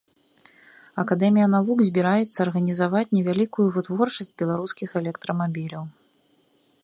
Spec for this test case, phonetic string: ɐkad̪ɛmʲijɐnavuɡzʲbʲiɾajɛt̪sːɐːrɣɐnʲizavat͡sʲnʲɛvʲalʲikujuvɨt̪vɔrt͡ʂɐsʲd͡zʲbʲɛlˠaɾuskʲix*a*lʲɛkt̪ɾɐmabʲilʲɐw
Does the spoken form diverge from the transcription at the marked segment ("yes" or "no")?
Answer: yes